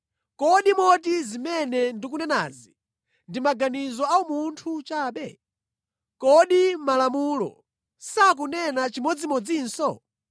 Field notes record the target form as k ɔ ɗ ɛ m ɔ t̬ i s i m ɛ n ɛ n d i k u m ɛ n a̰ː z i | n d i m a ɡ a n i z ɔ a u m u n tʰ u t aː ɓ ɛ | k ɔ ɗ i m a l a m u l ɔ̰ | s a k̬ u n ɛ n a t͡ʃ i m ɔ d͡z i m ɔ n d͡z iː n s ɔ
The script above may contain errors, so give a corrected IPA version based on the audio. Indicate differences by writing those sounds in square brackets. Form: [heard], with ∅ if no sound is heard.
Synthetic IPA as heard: k ɔ ɗ [i] m ɔ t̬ i [z] i m ɛ n ɛ n d i k u [n] ɛ n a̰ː z i | n d i m a ɡ a n i z ɔ a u m u n tʰ u [t͡ʃ] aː ɓ ɛ | k ɔ ɗ i m a l a m u l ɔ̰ | s a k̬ u n ɛ n a t͡ʃ i m ɔ d͡z i m ɔ [∅] d͡z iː n s ɔ